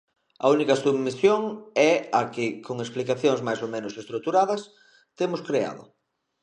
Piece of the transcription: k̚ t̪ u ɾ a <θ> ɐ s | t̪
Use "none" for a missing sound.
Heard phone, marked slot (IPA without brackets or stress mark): ð